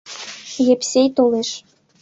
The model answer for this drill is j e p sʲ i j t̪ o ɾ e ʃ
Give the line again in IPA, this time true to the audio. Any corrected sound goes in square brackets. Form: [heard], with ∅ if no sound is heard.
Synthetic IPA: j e p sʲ [e] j t̪ o [l] e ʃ